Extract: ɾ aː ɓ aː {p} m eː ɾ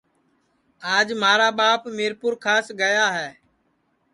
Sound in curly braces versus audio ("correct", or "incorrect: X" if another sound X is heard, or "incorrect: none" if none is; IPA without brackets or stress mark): correct